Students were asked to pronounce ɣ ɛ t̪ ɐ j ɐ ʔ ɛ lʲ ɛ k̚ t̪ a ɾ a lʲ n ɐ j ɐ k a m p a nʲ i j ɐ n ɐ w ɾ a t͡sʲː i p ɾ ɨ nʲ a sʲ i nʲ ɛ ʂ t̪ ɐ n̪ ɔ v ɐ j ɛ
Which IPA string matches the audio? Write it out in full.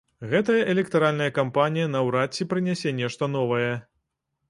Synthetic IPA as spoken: ɣ ɛ t̪ ɐ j ɐ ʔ ɛ lʲ ɛ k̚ t̪ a ɾ a lʲ n ɐ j ɐ k a m p a nʲ i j ɐ n ɐ w ɾ a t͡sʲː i p ɾ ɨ nʲ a sʲ ɛ nʲ ɛ ʂ t̪ ɐ n̪ ɔ v ɐ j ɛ